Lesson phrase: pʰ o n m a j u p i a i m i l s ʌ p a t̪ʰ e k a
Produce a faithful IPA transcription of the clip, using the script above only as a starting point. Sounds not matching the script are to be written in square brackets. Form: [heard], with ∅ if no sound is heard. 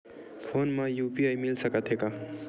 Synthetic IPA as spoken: pʰ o n m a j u p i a [j] m i l s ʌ [k] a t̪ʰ e k a